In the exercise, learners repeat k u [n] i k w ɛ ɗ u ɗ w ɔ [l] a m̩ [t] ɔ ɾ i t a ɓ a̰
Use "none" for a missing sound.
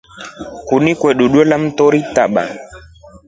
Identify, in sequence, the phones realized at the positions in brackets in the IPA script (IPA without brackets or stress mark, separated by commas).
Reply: n, l, t